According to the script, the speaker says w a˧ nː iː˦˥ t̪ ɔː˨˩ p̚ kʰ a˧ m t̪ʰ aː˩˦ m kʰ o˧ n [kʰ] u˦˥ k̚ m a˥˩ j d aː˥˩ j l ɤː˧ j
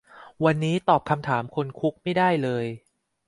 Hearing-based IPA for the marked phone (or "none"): kʰ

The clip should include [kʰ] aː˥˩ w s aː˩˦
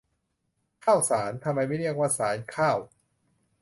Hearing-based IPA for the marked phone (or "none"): kʰ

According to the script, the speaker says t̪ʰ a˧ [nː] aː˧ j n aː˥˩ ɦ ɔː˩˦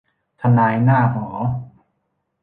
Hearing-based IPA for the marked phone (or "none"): n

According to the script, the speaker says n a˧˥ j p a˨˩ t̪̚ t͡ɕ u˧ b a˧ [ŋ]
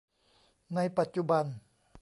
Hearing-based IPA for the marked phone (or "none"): n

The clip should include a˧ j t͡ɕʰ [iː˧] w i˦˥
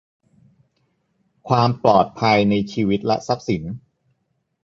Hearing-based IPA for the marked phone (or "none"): iː˧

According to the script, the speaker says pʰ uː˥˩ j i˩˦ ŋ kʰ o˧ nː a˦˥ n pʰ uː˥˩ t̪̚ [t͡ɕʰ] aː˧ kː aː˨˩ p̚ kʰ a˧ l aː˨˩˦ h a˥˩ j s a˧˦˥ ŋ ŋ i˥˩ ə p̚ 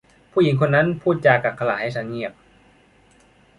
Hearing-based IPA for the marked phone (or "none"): t͡ɕ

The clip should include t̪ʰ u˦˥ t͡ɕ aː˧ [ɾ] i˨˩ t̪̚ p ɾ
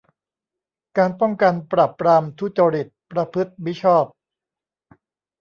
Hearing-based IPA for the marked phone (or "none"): ɾ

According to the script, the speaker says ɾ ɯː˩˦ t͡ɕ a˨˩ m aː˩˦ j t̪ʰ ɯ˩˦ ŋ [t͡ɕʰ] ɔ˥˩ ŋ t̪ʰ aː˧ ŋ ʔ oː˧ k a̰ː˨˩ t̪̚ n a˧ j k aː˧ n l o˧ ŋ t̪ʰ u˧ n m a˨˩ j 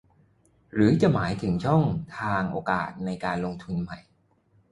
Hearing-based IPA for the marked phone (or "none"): t͡ɕʰ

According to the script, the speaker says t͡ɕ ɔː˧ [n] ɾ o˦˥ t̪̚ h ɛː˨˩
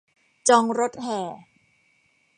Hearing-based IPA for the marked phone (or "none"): ŋ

